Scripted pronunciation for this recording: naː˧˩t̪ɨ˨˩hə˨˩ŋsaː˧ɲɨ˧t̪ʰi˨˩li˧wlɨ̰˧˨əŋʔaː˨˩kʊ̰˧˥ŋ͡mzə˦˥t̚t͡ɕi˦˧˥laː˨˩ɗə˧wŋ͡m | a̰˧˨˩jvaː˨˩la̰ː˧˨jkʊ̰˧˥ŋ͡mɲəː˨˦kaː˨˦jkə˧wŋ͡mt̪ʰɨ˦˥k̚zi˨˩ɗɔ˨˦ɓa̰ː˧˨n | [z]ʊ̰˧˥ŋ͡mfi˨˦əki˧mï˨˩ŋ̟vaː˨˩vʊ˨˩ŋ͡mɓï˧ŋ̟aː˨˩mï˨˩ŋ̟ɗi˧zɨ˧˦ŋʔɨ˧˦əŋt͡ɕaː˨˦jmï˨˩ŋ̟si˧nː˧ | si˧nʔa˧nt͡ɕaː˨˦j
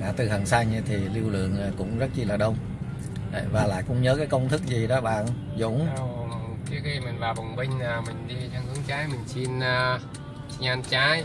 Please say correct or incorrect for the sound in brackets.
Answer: correct